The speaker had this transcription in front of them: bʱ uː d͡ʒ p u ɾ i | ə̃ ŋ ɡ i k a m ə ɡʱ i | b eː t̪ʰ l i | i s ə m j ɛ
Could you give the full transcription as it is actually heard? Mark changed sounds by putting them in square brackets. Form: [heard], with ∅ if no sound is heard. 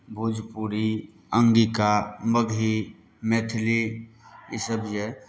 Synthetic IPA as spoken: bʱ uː d͡ʒ p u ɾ i | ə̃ ŋ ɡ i k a m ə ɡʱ i | [m] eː t̪ʰ l i | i s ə [b] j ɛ